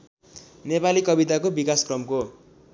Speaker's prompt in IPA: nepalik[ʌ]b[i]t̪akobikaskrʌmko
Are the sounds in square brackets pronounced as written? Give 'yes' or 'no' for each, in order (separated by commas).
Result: yes, yes